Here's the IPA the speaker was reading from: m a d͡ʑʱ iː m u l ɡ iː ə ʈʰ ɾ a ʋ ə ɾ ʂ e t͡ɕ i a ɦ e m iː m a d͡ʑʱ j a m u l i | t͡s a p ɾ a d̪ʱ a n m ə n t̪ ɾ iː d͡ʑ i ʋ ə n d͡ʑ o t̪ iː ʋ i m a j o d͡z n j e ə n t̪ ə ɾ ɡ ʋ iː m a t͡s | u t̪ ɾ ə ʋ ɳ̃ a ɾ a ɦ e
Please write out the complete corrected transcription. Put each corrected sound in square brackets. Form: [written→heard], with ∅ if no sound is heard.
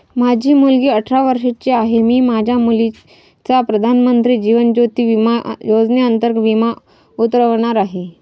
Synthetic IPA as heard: m a d͡ʑʱ iː m u l ɡ iː ə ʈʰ ɾ a ʋ ə ɾ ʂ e t͡ɕ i a ɦ e m iː m a d͡ʑʱ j a m u l i | t͡s a p ɾ [a→ə] d̪ʱ a n m ə n t̪ ɾ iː d͡ʑ i ʋ ə n d͡ʑ o t̪ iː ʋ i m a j o d͡z n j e ə n t̪ ə ɾ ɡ ʋ [iː→i] m a [t͡s→∅] | u t̪ ɾ ə ʋ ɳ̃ a ɾ a ɦ e